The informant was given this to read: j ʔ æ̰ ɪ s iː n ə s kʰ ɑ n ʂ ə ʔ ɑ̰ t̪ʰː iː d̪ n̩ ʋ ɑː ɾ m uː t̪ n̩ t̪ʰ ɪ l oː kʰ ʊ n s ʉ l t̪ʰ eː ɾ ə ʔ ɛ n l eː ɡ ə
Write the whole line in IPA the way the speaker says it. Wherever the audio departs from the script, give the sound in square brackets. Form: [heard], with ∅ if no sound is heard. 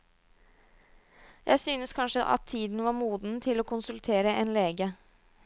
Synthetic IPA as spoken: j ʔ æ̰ ɪ s [yː] n ə s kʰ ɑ n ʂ ə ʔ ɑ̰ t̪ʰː iː d̪ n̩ ʋ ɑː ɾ m uː [d̪] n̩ t̪ʰ ɪ l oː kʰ ʊ n s ʉ l t̪ʰ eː ɾ ə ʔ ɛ n l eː ɡ ə